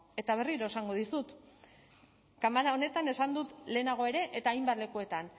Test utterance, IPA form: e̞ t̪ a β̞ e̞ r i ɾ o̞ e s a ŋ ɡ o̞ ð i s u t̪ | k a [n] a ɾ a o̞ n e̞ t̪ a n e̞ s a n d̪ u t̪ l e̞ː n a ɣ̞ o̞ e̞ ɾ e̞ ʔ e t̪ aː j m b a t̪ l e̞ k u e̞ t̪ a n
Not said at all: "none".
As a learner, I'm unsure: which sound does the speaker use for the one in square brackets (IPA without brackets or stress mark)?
m